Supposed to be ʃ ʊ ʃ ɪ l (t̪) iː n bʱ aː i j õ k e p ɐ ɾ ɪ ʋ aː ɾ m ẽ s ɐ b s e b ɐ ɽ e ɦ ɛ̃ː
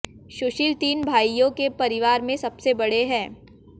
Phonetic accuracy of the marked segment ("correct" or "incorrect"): correct